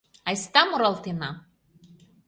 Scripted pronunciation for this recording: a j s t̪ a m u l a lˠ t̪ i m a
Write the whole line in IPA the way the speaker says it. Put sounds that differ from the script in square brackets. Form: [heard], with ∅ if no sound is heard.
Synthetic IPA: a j s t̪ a m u [ɾ] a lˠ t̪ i [n] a

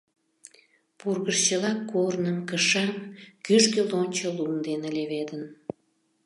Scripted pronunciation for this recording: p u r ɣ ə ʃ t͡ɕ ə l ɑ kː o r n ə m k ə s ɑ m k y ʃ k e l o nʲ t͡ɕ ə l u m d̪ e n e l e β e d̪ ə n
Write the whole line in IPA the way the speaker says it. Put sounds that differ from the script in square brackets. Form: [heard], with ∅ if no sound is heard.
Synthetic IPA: p u r ɣ ə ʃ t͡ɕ ə l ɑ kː o r n ə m k ə [ʃ] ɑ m k y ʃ k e l o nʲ t͡ɕ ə l u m d̪ e n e l e β e d̪ ə n

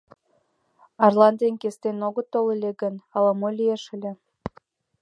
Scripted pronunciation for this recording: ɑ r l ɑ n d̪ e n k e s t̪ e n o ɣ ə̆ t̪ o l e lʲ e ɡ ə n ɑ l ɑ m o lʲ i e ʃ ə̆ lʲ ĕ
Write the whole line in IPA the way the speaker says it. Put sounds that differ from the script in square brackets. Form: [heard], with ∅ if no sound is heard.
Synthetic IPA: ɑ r l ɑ n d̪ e n k e s t̪ e n o ɣ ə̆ t̪ o l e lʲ e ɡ ə n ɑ l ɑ m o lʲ i e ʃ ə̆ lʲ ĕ

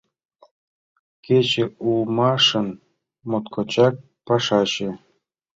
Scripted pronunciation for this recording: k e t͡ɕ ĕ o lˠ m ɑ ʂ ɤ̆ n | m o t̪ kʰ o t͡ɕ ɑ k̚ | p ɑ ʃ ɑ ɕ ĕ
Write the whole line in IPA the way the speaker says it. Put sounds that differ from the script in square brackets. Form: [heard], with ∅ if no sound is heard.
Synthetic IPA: k e t͡ɕ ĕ [u] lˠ m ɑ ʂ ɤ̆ n | m o t̪ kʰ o t͡ɕ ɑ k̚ | p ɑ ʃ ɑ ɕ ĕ

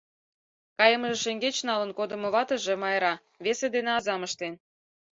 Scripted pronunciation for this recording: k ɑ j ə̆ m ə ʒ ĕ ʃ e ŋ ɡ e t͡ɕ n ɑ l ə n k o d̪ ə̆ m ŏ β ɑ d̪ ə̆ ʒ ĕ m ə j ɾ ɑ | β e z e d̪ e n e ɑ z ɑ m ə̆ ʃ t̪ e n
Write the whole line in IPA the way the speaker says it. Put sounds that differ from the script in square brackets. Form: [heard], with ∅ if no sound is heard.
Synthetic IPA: k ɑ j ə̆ m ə ʒ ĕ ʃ e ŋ ɡ e t͡ɕ n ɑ l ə n k o d̪ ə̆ m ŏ β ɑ [t̪] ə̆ ʒ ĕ m [ɑ] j ɾ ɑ | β e [s] e d̪ e n e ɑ z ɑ m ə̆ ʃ t̪ e n

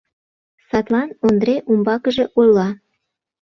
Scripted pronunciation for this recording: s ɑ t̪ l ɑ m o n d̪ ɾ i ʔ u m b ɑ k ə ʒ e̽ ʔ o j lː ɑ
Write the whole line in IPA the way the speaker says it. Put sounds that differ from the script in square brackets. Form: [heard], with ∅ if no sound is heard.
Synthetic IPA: s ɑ t̪ l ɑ [n] o n d̪ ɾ [e] ʔ u m b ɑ k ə ʒ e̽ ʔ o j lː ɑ

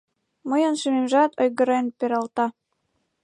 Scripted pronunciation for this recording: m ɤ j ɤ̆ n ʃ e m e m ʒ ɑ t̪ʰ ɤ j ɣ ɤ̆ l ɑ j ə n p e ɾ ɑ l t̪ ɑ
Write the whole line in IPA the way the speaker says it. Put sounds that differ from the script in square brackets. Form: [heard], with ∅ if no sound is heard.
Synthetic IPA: m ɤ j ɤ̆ n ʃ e m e m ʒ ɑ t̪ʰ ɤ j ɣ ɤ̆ [ɾ] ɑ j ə n p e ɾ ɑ l t̪ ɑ

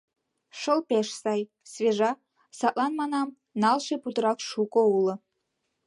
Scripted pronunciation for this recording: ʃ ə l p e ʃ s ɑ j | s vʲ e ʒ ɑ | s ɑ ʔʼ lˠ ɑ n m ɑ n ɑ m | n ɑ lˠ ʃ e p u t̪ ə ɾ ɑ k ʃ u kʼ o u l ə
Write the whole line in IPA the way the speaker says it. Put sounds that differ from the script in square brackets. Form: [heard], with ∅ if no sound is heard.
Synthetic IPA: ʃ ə l p e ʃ s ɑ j | s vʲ e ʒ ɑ | s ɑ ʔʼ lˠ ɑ n m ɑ n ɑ m | n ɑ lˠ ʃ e p u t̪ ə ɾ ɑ k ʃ u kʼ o u l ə

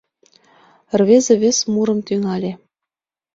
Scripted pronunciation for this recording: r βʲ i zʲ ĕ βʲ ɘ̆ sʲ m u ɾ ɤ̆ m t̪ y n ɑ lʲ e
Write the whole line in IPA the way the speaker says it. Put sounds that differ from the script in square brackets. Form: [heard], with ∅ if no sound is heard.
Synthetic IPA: r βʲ [e] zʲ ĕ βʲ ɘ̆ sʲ m u ɾ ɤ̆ m t̪ y [ŋ] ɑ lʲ e

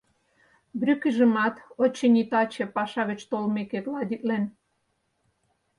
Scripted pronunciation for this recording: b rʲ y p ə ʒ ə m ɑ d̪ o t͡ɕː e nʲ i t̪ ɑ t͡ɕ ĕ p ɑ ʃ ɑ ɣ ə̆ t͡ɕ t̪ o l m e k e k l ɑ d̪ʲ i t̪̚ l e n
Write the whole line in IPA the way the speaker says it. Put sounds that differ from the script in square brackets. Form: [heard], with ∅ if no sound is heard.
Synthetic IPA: b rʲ y [k] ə ʒ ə m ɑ [t̪] o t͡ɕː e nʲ i t̪ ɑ t͡ɕ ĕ p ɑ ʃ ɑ ɣ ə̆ t͡ɕ t̪ o l m e k e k l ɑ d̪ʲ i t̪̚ l e n

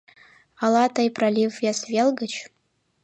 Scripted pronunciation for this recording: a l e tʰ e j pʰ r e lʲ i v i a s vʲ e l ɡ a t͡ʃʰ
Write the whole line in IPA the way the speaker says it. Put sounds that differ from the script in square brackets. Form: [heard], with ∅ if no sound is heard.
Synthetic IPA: a l [a] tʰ [a] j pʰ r [a] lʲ i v [j] a s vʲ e l ɡ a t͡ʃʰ

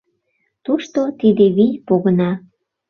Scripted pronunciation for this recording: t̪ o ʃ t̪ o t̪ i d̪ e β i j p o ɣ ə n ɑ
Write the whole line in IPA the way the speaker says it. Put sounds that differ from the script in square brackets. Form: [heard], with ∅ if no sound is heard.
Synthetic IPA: t̪ [u] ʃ t̪ o t̪ i d̪ e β i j p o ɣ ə n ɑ

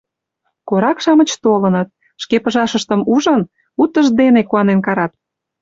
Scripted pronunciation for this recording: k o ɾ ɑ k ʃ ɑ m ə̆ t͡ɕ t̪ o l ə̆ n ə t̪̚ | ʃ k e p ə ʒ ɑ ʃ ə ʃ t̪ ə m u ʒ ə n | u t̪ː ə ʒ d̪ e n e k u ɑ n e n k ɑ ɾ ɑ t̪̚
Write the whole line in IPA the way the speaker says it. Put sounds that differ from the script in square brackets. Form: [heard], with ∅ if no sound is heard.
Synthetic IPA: k o ɾ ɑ k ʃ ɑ m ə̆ t͡ɕ t̪ o l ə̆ n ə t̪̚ | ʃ k e p ə ʒ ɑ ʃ ə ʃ t̪ ə m u ʒ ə n | u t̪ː ə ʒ d̪ e n e k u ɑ n e n k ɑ ɾ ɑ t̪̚

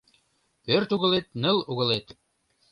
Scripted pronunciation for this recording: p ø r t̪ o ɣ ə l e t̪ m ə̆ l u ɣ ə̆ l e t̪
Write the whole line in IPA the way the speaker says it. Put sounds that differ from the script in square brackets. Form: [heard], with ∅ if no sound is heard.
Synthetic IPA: p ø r t̪ [u] ɣ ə l e t̪ [n] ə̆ l u ɣ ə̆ l e t̪

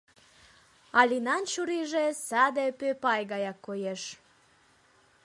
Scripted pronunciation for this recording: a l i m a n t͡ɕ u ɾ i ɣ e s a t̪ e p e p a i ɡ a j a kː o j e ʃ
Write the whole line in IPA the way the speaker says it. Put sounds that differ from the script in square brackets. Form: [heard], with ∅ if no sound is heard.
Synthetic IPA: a l i [n] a n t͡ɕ u ɾ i [ʒ] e s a [d̪] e p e p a [j] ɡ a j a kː o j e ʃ

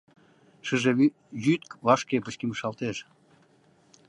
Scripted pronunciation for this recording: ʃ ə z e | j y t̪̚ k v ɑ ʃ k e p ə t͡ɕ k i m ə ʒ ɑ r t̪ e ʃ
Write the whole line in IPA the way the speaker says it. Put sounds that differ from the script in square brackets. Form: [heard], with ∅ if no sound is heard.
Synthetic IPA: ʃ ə [ʒ] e | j y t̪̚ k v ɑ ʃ k e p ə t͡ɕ k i m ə [ʃ] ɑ [l] t̪ e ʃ

